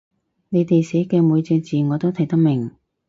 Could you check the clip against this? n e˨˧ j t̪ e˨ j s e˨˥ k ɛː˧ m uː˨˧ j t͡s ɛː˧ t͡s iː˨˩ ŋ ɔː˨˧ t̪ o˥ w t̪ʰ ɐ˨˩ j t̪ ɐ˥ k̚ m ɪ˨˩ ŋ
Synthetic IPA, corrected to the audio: n e˨˧ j t̪ e˨ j s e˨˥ k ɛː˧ m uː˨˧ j t͡s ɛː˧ t͡s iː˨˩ ŋ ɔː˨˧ t̪ o˥ w t̪ʰ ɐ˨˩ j t̪ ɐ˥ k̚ m ɪ˨˩ ŋ